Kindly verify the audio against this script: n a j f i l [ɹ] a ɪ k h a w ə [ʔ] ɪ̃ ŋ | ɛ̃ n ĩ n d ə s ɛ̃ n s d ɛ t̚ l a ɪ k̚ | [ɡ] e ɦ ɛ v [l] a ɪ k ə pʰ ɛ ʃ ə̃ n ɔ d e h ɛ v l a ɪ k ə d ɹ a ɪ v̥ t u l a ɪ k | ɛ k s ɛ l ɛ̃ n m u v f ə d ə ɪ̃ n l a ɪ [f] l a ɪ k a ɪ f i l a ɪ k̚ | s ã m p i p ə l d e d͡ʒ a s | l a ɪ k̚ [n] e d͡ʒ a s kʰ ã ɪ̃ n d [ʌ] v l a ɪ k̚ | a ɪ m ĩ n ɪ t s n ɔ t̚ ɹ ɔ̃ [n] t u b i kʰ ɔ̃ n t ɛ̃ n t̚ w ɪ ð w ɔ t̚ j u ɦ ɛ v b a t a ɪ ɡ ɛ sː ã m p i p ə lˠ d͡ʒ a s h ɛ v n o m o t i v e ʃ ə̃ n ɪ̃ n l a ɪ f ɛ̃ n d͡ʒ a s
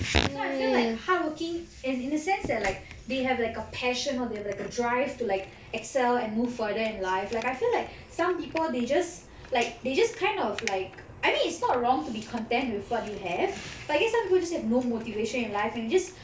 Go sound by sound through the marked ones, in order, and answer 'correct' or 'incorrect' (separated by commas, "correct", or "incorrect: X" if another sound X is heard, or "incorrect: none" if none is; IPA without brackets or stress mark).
incorrect: l, incorrect: k, incorrect: d, correct, correct, incorrect: d, incorrect: ɔ, incorrect: ŋ